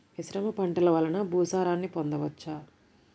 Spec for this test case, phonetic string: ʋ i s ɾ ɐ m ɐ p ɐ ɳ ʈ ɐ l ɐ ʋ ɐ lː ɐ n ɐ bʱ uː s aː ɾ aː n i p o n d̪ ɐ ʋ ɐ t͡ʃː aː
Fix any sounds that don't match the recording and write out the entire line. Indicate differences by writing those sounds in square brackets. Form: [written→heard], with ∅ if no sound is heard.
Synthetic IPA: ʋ i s ɾ ɐ m ɐ p ɐ ɳ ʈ ɐ l ɐ ʋ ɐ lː ɐ n ɐ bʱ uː s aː ɾ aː [n→nː] i p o n d̪ ɐ ʋ ɐ t͡ʃː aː

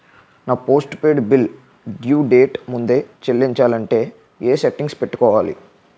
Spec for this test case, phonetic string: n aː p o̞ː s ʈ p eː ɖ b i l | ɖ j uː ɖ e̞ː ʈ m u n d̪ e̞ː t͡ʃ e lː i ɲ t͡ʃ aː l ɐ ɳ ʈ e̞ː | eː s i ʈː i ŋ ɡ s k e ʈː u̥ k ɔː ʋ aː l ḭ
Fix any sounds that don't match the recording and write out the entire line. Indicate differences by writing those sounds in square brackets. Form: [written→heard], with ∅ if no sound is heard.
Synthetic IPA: n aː p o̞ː s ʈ p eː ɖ b i l | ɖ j uː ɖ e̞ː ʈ m u n d̪ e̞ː t͡ʃ e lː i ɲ t͡ʃ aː l ɐ ɳ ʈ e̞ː | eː s [i→e] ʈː i ŋ ɡ s [k→p] e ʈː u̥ k ɔː ʋ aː l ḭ

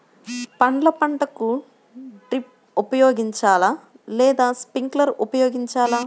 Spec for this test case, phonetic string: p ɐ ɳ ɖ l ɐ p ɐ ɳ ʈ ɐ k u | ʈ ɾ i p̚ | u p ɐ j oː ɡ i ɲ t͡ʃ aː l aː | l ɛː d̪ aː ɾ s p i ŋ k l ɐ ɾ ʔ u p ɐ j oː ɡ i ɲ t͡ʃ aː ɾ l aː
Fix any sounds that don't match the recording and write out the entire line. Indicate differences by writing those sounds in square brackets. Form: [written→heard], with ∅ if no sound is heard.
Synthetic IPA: p ɐ ɳ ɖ l ɐ p ɐ ɳ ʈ ɐ k u | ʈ ɾ i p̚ | u p ɐ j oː ɡ i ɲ t͡ʃ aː l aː | l ɛː d̪ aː [ɾ→∅] s p i ŋ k l ɐ ɾ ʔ u p ɐ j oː ɡ i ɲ t͡ʃ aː [ɾ→∅] l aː

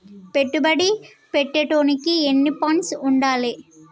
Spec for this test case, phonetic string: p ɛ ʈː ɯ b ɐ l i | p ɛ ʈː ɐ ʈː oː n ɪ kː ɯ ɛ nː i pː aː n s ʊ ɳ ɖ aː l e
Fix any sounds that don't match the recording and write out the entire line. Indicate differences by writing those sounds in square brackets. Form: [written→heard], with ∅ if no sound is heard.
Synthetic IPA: p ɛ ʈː ɯ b ɐ [l→ɽ] i | p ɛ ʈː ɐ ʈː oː n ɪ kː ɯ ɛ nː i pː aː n s ʊ ɳ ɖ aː l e

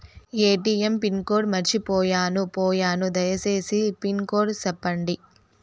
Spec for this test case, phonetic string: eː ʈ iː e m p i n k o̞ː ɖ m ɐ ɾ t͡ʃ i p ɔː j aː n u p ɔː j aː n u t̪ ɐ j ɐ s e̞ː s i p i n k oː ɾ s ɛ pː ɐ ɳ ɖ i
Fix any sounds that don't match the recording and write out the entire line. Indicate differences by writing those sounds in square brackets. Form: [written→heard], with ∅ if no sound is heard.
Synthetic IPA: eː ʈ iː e m p i n k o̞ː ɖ m ɐ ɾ t͡ʃ i p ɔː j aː n u p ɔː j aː n u [t̪→d̪] ɐ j ɐ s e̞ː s i p i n k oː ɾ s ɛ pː ɐ ɳ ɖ i

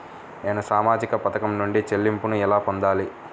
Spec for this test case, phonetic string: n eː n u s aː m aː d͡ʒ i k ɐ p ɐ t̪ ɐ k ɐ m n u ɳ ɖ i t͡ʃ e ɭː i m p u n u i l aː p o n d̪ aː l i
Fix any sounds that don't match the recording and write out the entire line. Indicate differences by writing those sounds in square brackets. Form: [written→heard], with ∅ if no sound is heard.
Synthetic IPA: n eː n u s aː m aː d͡ʒ i k ɐ p ɐ t̪ ɐ k ɐ m n u ɳ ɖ i t͡ʃ e [ɭː→lː] i m p u n u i l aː p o n d̪ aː l i

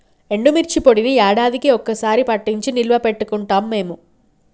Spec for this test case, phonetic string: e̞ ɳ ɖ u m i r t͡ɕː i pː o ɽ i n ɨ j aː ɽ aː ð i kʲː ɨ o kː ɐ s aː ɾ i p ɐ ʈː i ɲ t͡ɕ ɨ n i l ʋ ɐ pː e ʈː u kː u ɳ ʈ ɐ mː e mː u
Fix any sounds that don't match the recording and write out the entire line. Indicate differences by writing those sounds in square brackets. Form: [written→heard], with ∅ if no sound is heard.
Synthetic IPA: e̞ ɳ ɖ u m i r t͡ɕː i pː o ɽ i n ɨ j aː ɽ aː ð i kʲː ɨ o kː ɐ s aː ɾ i p ɐ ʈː i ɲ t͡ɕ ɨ n i l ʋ ɐ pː e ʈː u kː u ɳ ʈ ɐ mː e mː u

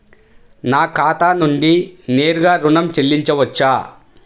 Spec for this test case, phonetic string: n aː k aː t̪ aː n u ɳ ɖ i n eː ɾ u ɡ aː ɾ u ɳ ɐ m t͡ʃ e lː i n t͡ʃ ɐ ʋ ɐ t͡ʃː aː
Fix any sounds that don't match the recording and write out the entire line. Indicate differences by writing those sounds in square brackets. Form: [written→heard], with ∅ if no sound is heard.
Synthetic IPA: n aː k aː t̪ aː n u ɳ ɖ i n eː ɾ u ɡ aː ɾ u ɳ ɐ m t͡ʃ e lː i [n→ɲ] t͡ʃ ɐ ʋ ɐ t͡ʃː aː

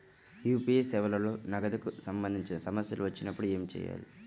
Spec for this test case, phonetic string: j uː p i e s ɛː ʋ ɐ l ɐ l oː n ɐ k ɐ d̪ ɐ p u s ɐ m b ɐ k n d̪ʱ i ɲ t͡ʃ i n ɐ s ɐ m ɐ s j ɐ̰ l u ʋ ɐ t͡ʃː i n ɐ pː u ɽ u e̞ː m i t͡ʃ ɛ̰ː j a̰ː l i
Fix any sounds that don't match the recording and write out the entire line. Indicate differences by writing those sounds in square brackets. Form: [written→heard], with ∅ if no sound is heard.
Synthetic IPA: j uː p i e s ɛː ʋ ɐ l ɐ l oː n ɐ [k→ɡ] ɐ d̪ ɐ [p→k] u s ɐ m b ɐ [k→∅] n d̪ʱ i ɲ t͡ʃ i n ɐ s ɐ m ɐ s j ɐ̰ l u ʋ ɐ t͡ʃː i n ɐ pː u ɽ u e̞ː m i t͡ʃ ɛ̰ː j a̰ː l i

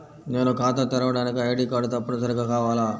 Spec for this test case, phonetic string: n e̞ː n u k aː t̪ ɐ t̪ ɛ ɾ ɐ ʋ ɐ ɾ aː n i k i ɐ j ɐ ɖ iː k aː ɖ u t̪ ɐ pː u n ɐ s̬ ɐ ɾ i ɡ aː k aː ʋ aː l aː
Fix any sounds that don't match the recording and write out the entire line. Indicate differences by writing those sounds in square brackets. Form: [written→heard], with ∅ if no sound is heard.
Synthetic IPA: n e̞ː n u k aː t̪ ɐ t̪ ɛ ɾ ɐ ʋ ɐ [ɾ→ɽ] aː n i k i ɐ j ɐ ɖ iː k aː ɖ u t̪ ɐ pː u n ɐ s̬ ɐ ɾ i ɡ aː k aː ʋ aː l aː

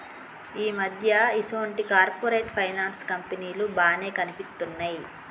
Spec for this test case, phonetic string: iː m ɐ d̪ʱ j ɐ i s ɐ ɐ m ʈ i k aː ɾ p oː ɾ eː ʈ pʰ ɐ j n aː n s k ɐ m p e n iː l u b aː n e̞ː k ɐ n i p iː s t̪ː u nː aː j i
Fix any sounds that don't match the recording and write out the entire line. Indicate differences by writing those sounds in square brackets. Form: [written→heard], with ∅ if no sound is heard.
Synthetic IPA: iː m ɐ d̪ʱ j ɐ i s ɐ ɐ [m→ɳ] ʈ i k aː ɾ p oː ɾ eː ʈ pʰ ɐ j n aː n s k ɐ m p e n iː l u b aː n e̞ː k ɐ n i p [iː→i] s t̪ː u nː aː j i

